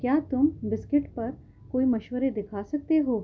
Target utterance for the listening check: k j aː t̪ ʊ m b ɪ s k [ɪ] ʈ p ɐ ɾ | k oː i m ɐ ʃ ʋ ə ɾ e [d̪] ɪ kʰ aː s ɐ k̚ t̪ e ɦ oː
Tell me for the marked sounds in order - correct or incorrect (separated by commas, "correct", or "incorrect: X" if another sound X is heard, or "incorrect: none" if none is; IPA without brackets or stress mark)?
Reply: correct, correct